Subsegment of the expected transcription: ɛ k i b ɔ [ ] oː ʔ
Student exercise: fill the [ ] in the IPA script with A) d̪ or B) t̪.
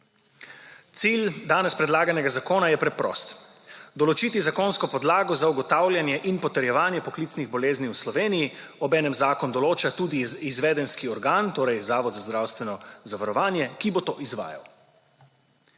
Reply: B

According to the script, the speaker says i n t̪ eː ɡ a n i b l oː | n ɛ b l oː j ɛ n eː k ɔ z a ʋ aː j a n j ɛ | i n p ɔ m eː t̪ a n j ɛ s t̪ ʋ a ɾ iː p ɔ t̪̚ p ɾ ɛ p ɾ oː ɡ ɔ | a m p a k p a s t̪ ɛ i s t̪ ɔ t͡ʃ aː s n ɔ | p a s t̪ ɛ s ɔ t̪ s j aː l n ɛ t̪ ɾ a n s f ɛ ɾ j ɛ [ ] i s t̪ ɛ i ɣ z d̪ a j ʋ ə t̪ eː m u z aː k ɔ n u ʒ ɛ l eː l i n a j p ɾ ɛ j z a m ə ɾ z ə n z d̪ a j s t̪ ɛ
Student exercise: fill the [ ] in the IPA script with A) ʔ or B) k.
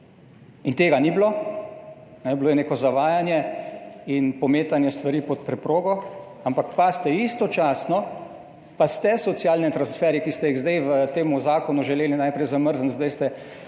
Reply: B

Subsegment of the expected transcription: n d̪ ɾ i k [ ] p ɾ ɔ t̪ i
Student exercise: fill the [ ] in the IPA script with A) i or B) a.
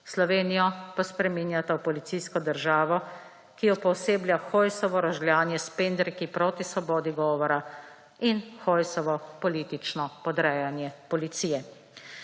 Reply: A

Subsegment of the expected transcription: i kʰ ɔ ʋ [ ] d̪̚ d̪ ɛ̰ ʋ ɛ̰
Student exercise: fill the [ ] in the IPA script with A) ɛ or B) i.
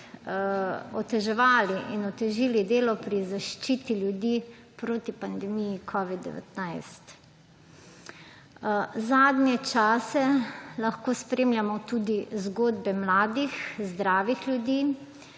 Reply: B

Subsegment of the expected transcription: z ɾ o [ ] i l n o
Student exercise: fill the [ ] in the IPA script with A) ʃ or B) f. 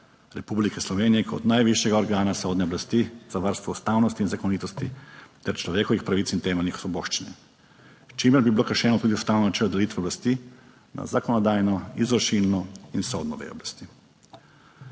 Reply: A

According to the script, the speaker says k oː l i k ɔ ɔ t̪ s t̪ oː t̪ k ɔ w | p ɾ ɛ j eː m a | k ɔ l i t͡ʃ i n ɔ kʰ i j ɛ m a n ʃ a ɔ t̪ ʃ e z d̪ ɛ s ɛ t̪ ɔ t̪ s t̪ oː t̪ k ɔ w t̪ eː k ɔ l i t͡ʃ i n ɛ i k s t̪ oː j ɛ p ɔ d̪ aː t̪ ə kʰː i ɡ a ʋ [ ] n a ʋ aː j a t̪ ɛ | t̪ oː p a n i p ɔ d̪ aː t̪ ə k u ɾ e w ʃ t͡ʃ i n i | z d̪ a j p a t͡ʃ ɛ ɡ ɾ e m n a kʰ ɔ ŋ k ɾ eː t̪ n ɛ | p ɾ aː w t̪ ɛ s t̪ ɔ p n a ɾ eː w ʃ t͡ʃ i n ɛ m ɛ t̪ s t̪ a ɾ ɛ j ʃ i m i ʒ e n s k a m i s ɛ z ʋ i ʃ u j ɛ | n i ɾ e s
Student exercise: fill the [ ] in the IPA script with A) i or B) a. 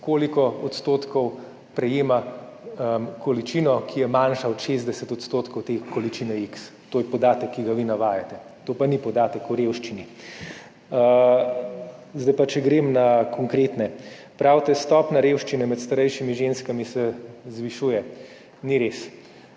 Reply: A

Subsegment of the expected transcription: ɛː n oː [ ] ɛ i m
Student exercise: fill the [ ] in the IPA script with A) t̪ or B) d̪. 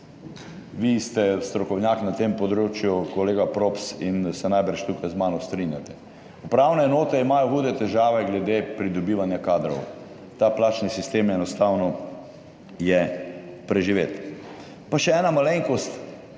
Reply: A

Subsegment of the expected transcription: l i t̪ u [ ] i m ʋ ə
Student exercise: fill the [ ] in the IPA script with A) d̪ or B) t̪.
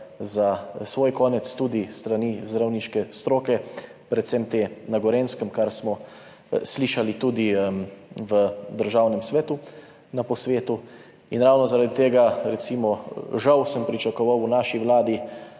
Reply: A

